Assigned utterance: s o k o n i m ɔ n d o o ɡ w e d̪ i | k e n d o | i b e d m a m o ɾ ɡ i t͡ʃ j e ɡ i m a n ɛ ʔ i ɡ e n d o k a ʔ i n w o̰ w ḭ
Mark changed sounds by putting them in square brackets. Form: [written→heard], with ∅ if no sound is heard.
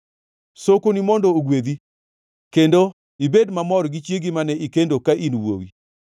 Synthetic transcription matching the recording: s o k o n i m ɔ n d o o ɡ w e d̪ i | k e n d o | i b e d m a m [o→ɔ] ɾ ɡ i t͡ʃ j e ɡ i m a n ɛ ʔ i [ɡ→k] e n d o k a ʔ i n w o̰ w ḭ